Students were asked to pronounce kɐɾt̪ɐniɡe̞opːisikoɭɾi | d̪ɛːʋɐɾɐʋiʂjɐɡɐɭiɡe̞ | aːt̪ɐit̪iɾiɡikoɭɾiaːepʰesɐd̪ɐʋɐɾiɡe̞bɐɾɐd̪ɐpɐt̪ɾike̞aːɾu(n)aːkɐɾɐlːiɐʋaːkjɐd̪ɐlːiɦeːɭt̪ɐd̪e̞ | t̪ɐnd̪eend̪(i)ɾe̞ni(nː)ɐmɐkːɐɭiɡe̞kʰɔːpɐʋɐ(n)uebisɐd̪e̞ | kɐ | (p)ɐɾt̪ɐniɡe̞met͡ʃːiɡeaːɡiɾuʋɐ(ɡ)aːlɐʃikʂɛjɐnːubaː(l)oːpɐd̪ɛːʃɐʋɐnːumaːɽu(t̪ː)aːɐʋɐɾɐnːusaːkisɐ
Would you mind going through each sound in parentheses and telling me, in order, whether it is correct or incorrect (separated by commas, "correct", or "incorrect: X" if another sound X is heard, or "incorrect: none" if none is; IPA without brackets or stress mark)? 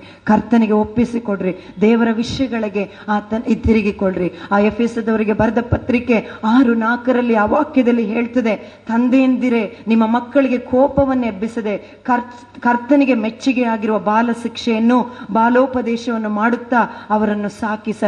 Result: correct, correct, incorrect: mː, incorrect: nː, incorrect: k, incorrect: b, correct, correct